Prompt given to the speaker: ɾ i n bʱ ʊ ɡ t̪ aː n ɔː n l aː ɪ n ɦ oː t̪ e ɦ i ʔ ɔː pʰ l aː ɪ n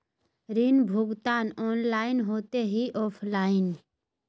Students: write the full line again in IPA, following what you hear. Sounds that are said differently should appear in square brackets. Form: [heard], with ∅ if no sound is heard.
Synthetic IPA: ɾ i n bʱ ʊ ɡ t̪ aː n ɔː n l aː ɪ n ɦ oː t̪ e ɦ i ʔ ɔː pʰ l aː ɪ n